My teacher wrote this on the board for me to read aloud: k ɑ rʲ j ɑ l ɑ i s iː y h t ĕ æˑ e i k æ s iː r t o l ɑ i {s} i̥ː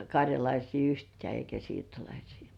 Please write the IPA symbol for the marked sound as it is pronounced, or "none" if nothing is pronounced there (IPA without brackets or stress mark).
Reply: s